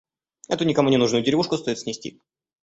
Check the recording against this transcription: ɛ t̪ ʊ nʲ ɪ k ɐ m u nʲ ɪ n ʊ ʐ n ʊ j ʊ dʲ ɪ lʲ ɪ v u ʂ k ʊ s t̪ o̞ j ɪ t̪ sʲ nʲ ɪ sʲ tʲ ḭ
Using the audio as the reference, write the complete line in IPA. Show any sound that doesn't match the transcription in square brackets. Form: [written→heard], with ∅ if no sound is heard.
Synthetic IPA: ɛ t̪ ʊ nʲ ɪ k ɐ m u nʲ ɪ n [ʊ→u] ʐ n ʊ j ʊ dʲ ɪ [lʲ→ɾʲ] ɪ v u ʂ k ʊ s t̪ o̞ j ɪ t̪ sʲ nʲ ɪ sʲ tʲ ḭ